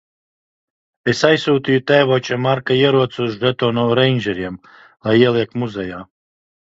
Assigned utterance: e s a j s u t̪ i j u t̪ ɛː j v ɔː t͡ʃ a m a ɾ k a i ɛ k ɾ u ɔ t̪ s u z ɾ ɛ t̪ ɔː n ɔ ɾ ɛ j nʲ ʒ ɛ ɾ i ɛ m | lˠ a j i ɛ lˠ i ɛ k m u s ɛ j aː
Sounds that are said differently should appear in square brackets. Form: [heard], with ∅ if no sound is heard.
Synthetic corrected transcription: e s a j s [uː] t̪ i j u t̪ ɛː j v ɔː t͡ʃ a m a ɾ k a i ɛ [∅] ɾ u ɔ t̪ s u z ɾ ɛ t̪ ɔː n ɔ ɾ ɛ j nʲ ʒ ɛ ɾ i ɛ m | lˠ a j i ɛ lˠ i ɛ k m u [z] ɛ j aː